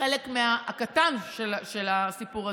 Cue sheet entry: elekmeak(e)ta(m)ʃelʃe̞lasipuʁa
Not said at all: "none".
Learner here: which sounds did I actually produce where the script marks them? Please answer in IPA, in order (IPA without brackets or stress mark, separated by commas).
a, n